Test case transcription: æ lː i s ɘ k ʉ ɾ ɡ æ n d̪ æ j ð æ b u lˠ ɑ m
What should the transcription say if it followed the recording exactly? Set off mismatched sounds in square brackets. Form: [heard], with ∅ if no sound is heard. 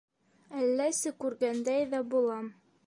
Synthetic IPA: æ lː [æ] s ɘ k ʉ ɾ ɡ æ n d̪ æ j ð æ b u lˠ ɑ m